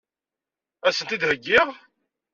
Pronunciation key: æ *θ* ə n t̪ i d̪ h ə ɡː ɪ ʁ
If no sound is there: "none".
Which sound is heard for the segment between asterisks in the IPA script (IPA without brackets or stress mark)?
s